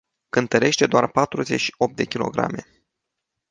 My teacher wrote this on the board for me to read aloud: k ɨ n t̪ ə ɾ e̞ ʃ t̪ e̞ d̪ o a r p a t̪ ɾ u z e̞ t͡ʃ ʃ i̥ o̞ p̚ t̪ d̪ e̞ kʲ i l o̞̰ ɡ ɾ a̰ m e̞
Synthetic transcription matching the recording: k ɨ n t̪ ə ɾ e̞ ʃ t̪ e̞ d̪ o a r p a t̪ ɾ u z e̞ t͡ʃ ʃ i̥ o̞ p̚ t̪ d̪ e̞ kʲ i l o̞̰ ɡ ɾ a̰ m e̞